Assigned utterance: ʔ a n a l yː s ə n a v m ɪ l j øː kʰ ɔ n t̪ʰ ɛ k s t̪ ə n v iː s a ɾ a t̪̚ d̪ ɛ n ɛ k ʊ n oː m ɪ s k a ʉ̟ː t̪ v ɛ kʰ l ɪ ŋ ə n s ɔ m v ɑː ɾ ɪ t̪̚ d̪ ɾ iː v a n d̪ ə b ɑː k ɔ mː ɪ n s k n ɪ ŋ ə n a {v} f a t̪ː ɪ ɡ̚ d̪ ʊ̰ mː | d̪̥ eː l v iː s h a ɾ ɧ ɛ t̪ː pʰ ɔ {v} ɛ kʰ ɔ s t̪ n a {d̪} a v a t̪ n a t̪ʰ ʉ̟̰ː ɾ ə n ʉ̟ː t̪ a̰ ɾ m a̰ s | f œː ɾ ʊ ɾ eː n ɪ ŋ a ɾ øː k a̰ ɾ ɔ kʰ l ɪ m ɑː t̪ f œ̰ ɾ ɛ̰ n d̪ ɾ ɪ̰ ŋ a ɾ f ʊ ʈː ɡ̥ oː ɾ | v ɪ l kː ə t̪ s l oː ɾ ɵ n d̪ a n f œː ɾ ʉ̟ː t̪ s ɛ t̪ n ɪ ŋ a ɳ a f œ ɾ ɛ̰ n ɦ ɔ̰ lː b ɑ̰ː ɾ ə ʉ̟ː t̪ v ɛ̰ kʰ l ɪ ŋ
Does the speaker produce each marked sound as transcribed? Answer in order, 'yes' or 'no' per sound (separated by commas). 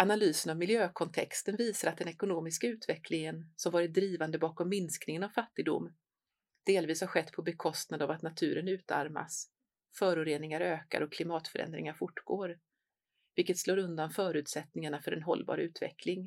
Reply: yes, no, yes